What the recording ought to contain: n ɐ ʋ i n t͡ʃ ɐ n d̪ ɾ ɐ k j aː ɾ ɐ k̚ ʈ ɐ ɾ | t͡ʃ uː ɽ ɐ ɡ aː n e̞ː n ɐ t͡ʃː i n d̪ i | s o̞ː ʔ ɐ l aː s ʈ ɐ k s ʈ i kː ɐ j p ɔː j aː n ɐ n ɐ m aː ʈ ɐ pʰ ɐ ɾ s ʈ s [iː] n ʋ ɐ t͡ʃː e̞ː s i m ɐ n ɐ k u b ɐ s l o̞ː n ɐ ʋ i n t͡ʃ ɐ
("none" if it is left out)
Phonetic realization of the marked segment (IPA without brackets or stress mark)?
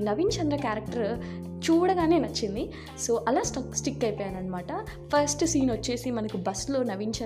iː